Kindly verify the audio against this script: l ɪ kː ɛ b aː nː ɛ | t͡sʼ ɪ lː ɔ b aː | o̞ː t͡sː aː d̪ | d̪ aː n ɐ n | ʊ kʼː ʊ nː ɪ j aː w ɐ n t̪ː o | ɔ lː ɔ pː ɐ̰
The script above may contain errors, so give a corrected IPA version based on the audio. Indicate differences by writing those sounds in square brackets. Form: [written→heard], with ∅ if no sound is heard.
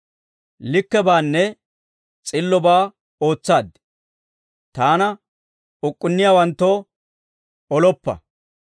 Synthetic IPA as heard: l ɪ kː ɛ b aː nː ɛ | t͡sʼ ɪ lː ɔ b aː | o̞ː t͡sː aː d̪ | [d̪→t̪] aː n ɐ [n→∅] | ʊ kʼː ʊ nː ɪ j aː w ɐ n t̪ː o | ɔ [lː→l] ɔ pː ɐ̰